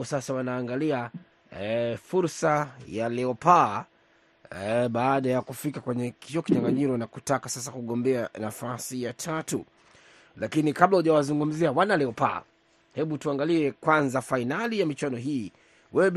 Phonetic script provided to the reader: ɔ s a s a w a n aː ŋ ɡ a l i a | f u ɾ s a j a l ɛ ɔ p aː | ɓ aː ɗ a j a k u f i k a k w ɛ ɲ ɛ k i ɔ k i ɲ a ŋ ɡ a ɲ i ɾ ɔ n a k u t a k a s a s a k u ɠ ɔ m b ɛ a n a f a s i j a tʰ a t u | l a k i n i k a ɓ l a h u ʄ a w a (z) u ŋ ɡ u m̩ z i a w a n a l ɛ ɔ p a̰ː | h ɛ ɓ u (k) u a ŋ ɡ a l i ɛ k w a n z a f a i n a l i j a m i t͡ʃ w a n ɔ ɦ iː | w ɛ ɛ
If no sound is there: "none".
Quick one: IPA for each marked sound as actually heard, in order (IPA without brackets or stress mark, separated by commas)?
z, t